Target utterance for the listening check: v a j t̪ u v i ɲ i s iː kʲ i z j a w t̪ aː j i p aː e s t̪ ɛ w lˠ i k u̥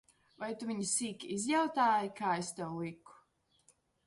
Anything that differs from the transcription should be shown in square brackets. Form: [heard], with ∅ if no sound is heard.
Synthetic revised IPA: v a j t̪ u v i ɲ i s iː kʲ i z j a w t̪ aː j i [k] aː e s t̪ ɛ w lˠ i k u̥